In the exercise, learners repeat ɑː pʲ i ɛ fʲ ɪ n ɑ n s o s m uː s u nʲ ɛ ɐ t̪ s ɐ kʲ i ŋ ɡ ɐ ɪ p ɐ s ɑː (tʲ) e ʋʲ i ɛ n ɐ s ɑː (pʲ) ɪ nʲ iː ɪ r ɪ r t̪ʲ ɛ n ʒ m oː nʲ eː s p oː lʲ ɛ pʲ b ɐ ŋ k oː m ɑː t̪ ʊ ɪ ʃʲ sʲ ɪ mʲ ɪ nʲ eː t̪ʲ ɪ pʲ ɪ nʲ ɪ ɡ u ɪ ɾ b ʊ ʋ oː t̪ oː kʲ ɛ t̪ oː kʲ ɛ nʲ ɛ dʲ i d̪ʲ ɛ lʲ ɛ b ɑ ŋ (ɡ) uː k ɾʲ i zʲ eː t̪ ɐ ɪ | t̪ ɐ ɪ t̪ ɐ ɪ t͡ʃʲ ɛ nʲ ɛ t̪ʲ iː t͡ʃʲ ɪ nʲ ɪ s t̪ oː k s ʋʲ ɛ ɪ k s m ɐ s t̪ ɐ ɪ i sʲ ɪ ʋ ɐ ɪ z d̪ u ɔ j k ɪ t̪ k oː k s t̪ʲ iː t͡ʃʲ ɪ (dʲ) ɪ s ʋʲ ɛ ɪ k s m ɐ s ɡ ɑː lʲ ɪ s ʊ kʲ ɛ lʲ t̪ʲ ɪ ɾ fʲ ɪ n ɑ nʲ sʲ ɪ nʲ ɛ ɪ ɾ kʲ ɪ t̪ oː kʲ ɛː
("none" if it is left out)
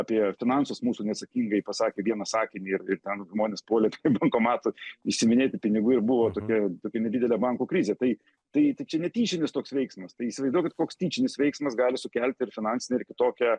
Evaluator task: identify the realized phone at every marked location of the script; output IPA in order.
kʲ, kʲ, k, nʲ

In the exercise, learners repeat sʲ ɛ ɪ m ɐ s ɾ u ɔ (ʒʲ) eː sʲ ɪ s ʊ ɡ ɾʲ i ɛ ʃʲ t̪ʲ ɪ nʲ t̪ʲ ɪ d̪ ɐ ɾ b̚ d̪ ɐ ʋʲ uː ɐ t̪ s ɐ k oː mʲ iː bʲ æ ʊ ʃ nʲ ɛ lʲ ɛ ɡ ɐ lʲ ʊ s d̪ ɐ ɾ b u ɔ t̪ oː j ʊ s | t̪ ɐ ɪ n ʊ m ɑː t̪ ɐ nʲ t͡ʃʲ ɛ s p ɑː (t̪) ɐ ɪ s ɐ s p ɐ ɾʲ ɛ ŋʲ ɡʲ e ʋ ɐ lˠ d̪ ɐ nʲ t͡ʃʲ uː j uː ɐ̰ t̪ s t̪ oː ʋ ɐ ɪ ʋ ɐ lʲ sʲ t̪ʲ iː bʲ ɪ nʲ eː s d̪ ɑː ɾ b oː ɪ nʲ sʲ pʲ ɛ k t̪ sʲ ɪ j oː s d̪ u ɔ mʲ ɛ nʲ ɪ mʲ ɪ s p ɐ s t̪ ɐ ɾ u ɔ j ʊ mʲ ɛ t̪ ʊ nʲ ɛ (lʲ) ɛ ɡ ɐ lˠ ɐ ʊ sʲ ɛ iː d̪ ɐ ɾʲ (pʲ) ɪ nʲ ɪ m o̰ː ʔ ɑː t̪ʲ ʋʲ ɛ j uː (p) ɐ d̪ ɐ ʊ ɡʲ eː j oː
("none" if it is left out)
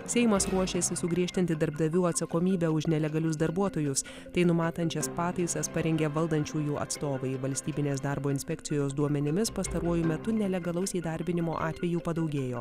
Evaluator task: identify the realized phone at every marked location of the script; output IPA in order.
ʃʲ, t̪, lʲ, bʲ, p

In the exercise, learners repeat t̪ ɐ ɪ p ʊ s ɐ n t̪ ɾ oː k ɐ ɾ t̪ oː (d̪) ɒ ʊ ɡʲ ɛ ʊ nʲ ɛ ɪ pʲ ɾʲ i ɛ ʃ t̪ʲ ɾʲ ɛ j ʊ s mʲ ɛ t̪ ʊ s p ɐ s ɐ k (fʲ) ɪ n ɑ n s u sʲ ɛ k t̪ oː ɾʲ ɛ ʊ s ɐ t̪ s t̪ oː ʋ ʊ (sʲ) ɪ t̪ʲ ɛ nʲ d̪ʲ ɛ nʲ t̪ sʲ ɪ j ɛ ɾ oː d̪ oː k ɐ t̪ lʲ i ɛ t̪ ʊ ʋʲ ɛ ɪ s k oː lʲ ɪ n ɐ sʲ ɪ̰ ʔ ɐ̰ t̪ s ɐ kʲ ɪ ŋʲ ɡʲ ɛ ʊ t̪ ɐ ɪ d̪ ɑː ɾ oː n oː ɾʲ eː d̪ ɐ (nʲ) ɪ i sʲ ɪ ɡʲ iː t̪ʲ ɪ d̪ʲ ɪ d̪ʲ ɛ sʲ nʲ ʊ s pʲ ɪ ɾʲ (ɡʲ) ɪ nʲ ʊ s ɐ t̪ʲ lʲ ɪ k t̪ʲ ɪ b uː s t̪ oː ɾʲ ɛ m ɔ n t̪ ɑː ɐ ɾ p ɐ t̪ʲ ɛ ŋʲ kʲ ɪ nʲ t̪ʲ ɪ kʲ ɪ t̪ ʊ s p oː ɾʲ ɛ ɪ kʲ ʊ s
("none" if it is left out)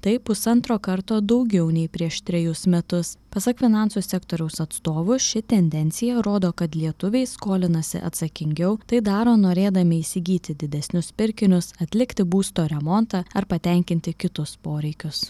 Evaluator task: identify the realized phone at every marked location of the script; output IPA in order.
d̪, fʲ, ʃʲ, mʲ, kʲ

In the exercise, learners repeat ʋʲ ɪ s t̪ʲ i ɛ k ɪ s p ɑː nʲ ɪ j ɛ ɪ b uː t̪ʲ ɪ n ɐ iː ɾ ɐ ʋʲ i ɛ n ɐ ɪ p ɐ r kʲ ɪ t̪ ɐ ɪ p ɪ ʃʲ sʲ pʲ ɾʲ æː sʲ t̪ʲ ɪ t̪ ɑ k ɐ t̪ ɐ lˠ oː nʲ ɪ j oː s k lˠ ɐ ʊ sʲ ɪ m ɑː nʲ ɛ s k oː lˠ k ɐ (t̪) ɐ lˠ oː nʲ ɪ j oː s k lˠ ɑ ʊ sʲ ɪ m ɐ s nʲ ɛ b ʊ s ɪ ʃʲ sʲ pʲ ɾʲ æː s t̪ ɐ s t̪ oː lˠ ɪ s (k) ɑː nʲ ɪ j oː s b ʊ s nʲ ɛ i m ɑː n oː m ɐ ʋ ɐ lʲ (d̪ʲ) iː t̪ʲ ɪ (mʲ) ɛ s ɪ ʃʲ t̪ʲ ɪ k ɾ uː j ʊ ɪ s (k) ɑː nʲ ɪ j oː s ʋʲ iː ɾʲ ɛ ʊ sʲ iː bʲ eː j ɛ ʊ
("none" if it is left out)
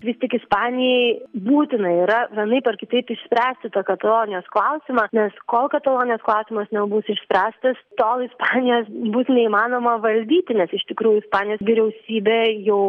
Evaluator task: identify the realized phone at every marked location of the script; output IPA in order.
t̪, p, d̪ʲ, nʲ, p

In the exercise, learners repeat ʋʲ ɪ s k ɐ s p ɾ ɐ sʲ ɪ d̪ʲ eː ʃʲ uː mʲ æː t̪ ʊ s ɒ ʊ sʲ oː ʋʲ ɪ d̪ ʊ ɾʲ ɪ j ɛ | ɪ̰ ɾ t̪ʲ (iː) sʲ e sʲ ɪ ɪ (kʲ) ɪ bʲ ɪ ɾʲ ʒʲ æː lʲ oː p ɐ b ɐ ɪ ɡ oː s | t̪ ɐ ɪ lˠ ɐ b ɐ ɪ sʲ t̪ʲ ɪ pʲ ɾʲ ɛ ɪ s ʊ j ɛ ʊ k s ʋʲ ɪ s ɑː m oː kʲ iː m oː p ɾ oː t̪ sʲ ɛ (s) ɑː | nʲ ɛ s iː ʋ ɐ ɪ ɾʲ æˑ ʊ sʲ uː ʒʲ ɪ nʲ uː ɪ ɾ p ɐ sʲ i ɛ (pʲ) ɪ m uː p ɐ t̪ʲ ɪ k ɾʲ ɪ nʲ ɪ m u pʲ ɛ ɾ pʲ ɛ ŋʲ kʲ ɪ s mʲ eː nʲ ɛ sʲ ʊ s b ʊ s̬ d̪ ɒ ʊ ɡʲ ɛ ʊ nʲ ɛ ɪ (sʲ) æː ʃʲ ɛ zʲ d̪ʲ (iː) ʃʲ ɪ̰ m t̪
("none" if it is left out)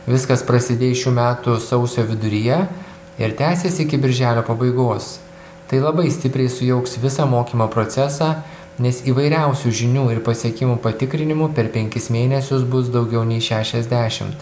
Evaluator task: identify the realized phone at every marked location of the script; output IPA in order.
æː, kʲ, s, kʲ, ʃʲ, æː

